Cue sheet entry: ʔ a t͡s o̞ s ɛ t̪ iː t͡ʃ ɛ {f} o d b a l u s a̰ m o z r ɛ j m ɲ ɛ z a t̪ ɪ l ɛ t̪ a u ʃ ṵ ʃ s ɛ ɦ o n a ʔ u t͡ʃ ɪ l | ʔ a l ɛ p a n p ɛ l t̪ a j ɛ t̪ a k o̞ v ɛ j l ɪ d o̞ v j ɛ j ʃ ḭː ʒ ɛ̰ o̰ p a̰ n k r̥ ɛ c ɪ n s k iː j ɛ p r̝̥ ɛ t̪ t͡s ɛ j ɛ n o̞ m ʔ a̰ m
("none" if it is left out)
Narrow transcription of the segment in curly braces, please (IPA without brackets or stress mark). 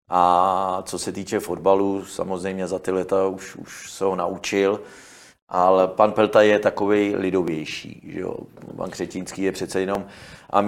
f